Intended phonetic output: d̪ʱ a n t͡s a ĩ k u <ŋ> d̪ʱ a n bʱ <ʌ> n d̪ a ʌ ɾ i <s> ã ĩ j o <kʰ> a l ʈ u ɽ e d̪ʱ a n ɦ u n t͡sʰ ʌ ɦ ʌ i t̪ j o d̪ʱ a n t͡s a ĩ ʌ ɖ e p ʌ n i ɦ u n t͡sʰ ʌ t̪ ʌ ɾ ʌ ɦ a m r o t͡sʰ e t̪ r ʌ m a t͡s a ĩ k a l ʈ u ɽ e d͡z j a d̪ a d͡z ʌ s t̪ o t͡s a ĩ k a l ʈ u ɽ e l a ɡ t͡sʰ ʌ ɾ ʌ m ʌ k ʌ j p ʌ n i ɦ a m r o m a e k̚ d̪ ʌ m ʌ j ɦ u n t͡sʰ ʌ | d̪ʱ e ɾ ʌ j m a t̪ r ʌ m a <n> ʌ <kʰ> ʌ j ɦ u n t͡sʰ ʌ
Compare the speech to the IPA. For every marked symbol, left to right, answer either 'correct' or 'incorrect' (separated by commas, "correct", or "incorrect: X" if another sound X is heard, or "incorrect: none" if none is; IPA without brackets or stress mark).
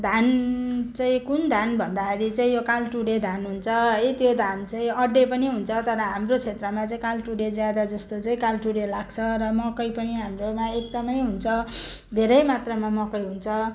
incorrect: n, correct, incorrect: t͡s, incorrect: k, incorrect: m, incorrect: k